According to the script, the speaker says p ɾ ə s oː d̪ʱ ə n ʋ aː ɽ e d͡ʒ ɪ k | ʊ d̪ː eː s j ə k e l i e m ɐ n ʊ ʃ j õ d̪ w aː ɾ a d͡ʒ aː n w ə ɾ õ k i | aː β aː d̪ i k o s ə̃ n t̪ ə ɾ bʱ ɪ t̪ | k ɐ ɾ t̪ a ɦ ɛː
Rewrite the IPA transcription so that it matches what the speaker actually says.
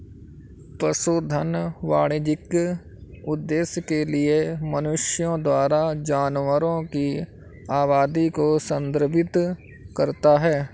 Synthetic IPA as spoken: p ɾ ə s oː d̪ʱ ə n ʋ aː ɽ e d͡ʒ ɪ k | ʊ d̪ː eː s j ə k e l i e m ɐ n ʊ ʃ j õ d̪ w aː ɾ a d͡ʒ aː n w ə ɾ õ k i | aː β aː d̪ i k o s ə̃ n d̪ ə ɾ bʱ ɪ t̪ | k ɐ ɾ t̪ a ɦ ɛː